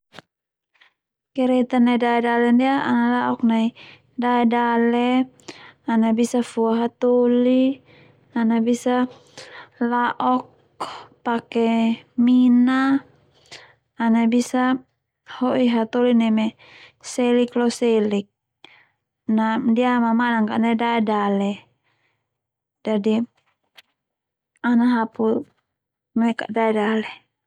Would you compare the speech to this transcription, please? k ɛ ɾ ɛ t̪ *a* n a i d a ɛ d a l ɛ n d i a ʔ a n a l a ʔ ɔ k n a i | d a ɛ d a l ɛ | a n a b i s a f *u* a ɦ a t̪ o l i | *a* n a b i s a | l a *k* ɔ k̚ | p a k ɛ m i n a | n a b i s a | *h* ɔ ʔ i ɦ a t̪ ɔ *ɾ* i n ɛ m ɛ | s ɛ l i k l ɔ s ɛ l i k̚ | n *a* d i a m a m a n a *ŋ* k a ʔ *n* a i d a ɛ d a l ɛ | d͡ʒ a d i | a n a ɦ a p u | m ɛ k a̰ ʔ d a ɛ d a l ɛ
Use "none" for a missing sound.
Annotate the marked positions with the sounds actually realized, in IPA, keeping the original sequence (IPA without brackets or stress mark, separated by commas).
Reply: a, u, a, ʔ, h, l, a, ŋ, n